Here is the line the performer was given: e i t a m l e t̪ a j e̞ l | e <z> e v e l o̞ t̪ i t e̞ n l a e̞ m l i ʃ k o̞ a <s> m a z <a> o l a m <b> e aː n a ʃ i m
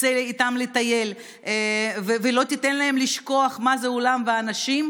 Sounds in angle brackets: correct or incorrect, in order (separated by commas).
incorrect, incorrect, incorrect, incorrect